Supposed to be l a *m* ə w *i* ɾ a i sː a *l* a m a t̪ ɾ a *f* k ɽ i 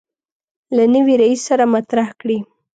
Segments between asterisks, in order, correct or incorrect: incorrect, correct, incorrect, incorrect

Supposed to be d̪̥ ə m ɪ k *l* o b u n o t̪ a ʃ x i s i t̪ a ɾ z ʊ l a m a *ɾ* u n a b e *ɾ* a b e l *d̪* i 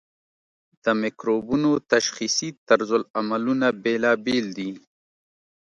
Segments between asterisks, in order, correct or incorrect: incorrect, incorrect, incorrect, correct

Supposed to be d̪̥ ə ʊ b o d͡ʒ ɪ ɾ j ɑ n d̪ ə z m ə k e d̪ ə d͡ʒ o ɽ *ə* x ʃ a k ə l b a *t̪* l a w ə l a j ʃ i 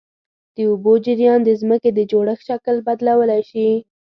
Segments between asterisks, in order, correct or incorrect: correct, incorrect

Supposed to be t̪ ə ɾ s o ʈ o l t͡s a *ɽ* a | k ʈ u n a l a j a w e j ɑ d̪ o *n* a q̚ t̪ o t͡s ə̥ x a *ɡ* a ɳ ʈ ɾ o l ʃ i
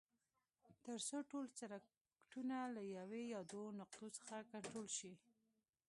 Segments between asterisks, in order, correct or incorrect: incorrect, correct, incorrect

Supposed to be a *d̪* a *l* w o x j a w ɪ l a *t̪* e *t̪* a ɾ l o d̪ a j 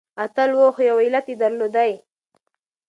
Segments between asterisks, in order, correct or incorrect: incorrect, correct, correct, incorrect

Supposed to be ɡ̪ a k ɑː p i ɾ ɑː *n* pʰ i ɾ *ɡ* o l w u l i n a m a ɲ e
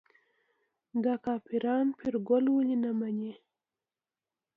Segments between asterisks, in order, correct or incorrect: correct, correct

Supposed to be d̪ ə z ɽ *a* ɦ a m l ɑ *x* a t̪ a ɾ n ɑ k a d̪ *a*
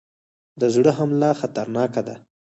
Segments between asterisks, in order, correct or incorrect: incorrect, correct, correct

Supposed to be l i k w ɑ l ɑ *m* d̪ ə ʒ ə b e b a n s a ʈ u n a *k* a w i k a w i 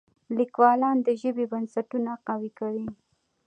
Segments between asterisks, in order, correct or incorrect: incorrect, incorrect

